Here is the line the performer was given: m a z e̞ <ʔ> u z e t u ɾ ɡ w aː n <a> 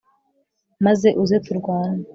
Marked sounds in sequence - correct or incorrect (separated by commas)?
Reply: correct, correct